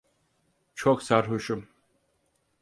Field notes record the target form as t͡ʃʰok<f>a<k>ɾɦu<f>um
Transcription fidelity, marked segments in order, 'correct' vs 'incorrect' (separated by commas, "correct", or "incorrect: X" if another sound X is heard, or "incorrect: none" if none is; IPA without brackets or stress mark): incorrect: s, incorrect: none, incorrect: ʃ